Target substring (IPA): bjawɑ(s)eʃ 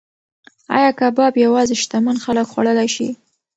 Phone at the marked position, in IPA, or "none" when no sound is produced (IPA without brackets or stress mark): z